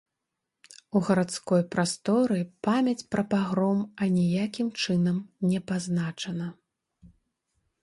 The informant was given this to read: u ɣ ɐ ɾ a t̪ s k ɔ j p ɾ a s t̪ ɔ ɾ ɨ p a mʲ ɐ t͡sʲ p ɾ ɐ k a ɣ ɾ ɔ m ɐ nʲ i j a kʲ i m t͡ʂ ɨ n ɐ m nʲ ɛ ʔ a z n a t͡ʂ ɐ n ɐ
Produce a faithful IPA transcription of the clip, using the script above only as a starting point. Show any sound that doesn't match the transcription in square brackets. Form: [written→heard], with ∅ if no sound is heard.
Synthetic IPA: u ɣ ɐ ɾ a t̪ s k ɔ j p ɾ a s t̪ ɔ ɾ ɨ p a mʲ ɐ t͡sʲ p ɾ ɐ [k→p] a ɣ ɾ ɔ m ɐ nʲ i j a kʲ i m t͡ʂ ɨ n ɐ m nʲ ɛ [ʔ→p] a z n a t͡ʂ ɐ n ɐ